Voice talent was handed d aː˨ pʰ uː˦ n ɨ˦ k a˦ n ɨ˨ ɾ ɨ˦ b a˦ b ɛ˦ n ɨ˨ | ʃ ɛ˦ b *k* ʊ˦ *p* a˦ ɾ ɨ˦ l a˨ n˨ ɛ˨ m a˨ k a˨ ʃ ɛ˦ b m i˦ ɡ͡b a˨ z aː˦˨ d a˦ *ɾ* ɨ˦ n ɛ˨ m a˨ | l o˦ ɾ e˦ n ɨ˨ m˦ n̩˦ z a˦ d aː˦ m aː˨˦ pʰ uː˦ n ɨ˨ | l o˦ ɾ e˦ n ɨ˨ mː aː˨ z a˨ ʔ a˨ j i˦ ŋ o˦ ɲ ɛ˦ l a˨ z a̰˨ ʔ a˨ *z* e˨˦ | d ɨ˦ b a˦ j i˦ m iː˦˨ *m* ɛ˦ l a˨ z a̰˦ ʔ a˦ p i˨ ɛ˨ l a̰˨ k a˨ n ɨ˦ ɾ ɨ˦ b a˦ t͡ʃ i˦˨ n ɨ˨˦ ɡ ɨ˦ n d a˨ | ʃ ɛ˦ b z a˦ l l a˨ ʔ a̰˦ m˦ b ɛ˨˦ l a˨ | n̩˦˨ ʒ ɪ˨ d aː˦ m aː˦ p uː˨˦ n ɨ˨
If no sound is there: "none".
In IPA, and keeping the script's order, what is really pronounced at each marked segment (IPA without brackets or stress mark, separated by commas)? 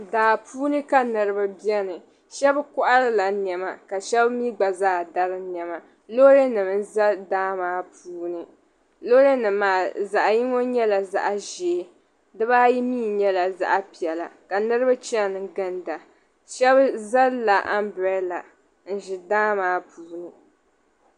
k, ʔ, ɾ, ʒ, ɲ